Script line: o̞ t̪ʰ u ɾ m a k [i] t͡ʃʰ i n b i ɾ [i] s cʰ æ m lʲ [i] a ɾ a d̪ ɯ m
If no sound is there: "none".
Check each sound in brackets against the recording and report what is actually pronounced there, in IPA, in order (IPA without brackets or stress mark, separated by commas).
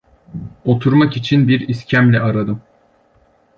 i, i, ɛ